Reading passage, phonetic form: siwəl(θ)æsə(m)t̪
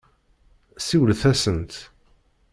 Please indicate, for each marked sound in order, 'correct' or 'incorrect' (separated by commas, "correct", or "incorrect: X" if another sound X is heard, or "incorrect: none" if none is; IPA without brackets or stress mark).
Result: correct, incorrect: n